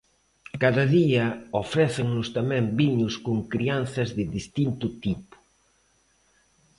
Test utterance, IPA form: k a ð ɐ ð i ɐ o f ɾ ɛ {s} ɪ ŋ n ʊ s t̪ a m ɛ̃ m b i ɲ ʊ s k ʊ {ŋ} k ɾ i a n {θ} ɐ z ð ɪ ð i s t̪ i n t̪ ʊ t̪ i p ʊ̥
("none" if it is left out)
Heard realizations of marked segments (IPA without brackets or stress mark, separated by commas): θ, ŋ, θ